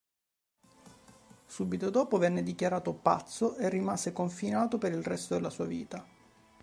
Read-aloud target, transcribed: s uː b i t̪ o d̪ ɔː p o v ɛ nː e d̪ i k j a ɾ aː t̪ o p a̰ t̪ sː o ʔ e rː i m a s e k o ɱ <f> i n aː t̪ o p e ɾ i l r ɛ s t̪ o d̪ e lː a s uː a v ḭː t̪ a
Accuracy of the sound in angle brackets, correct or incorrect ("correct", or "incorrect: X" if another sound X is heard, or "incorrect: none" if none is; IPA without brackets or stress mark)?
correct